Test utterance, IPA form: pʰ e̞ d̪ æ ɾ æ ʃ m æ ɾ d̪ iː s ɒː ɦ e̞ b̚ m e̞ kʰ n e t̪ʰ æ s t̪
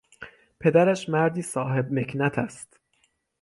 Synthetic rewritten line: pʰ e̞ d̪ æ ɾ æ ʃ m æ ɾ d̪ iː s ɒː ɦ e̞ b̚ m e̞ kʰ n æ t̪ʰ æ s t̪